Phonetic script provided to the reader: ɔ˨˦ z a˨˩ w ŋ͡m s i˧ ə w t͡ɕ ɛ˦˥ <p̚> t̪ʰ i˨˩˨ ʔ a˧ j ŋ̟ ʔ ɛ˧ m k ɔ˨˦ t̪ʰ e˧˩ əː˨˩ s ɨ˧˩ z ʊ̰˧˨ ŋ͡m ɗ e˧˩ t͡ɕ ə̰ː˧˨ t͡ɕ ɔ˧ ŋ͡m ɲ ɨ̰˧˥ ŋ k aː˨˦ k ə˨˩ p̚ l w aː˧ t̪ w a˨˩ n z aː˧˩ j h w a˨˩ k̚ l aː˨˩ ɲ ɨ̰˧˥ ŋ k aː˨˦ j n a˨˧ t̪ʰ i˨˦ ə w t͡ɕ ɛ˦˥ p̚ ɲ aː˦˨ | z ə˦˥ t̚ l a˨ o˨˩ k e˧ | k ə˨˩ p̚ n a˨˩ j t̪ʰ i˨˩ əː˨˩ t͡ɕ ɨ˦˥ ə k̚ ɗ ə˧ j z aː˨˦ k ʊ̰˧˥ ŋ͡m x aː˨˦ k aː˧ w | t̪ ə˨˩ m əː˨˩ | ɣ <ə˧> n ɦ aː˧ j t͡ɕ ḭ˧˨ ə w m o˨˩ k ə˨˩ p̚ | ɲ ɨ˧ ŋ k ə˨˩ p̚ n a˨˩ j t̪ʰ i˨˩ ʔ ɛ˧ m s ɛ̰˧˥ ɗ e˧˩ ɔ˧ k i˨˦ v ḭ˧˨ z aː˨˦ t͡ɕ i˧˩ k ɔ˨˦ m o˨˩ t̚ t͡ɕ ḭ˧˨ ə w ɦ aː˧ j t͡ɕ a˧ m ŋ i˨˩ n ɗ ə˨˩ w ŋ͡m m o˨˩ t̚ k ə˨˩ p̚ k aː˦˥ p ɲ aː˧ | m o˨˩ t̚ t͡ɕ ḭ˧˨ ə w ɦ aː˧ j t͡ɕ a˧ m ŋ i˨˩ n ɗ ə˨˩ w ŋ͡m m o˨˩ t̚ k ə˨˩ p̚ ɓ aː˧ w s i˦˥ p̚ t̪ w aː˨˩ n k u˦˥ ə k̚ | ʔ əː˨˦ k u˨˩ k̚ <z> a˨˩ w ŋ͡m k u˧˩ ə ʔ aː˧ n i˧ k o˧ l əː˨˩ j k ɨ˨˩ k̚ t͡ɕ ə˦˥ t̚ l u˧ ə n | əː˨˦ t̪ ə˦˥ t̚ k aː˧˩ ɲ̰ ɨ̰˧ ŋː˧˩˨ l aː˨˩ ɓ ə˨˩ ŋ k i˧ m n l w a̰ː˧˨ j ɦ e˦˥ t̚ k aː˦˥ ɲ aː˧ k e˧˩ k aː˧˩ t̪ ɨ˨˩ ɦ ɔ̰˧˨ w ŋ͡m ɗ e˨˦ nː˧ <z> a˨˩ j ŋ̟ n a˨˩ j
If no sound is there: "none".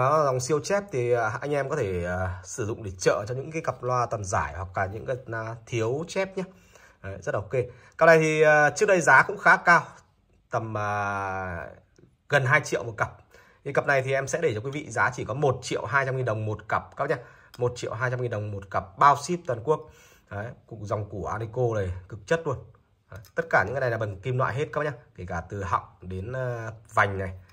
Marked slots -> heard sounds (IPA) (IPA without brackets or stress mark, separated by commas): p̚, ə˨˩, z, v